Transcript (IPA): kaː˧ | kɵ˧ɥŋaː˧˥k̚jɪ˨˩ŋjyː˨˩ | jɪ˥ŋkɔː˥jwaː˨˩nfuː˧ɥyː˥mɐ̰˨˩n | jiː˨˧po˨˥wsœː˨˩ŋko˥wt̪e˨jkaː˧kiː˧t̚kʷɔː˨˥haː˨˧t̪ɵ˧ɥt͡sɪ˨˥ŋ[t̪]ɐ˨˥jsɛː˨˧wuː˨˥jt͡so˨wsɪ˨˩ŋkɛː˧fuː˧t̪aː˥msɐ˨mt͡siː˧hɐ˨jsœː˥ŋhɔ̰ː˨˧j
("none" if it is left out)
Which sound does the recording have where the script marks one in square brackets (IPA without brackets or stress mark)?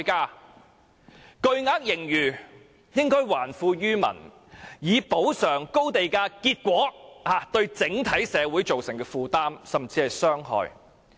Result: t̪ʰ